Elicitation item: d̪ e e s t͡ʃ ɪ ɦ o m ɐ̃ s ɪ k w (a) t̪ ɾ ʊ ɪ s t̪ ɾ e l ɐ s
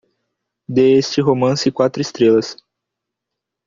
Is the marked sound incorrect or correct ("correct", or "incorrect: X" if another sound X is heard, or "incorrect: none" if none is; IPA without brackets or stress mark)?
correct